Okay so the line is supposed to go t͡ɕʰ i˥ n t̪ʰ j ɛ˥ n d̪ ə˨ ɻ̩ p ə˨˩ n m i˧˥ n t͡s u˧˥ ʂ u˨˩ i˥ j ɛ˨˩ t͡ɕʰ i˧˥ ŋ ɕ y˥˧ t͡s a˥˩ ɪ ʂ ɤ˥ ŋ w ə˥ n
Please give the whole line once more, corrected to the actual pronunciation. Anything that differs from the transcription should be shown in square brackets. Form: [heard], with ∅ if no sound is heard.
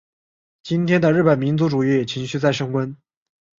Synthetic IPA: [t͡ɕ] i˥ n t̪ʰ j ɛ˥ n d̪ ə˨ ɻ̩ p ə˨˩ n m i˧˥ n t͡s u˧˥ [ʈ͡ʂ] u˨˩ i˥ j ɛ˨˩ t͡ɕʰ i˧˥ ŋ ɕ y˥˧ t͡s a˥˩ ɪ ʂ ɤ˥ ŋ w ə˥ n